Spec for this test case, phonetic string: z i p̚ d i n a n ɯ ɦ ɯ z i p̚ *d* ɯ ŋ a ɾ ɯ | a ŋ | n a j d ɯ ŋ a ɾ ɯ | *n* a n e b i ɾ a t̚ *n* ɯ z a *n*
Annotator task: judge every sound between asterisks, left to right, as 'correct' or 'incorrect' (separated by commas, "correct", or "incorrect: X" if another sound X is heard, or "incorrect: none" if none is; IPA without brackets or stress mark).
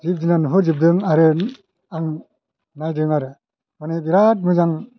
correct, incorrect: m, incorrect: m, incorrect: ŋ